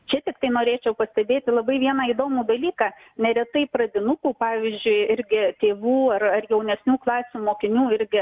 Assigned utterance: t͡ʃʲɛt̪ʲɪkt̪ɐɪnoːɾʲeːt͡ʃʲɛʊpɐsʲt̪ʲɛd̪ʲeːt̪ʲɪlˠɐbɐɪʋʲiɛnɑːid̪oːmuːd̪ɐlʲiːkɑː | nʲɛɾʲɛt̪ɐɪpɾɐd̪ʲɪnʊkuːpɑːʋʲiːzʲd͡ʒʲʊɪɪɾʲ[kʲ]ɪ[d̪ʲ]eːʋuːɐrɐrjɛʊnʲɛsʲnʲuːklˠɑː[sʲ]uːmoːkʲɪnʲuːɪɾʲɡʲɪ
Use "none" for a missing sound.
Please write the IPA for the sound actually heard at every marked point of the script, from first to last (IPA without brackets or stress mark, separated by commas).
ɡʲ, t̪ʲ, sʲ